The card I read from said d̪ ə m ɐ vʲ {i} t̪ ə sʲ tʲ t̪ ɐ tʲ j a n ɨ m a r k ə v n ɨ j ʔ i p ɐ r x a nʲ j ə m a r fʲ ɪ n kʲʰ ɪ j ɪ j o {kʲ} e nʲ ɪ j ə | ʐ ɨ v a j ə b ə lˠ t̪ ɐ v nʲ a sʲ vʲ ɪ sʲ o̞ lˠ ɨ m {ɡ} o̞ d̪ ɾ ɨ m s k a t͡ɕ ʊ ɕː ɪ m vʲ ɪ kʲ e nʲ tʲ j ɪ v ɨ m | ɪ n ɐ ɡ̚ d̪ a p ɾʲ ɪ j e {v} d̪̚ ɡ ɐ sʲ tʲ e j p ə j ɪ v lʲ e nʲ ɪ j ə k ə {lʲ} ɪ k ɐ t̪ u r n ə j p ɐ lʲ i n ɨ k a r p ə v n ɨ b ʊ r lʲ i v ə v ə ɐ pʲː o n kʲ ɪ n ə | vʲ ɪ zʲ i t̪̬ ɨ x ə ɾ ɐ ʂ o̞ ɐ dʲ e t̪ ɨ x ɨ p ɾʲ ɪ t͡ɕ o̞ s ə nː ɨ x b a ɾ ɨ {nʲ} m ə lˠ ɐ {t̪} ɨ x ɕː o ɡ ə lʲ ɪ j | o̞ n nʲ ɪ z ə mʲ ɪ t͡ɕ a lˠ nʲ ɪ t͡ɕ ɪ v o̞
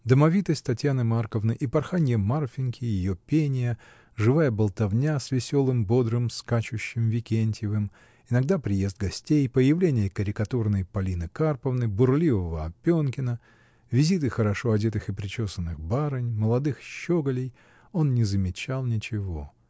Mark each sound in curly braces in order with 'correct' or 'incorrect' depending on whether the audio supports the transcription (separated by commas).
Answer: correct, incorrect, incorrect, incorrect, incorrect, correct, incorrect